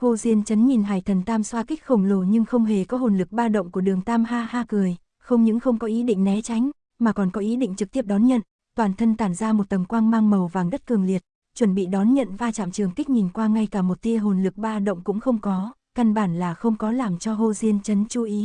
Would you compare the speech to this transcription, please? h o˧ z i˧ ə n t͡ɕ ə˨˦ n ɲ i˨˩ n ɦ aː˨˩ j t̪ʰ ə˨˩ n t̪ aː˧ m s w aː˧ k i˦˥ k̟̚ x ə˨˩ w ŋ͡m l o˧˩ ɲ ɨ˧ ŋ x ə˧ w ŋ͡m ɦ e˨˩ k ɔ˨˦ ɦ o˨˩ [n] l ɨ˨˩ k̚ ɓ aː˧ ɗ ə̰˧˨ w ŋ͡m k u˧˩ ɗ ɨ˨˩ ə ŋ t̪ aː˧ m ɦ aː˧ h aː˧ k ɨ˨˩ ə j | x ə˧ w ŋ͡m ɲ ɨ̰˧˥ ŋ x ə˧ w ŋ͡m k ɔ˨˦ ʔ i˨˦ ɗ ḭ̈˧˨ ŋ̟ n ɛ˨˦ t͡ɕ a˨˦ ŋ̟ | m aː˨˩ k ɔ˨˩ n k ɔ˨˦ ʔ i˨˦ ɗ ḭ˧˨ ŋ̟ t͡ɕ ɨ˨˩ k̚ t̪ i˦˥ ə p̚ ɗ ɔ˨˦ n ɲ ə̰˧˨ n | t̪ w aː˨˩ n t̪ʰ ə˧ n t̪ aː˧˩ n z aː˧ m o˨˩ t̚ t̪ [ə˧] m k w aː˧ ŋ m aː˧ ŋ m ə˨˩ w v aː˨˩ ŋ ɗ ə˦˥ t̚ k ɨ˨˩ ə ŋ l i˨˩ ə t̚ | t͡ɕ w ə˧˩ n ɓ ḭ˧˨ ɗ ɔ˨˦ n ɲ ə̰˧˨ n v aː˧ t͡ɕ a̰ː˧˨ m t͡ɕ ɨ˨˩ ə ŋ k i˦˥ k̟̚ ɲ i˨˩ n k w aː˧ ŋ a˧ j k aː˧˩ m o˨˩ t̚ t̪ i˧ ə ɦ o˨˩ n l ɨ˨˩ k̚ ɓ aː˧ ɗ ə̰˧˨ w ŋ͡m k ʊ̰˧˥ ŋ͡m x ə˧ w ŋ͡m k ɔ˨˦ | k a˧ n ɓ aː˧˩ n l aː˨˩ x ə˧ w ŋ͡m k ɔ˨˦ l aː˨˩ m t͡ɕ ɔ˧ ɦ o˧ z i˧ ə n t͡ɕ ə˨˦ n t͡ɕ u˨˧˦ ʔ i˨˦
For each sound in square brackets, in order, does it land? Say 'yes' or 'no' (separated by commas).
yes, no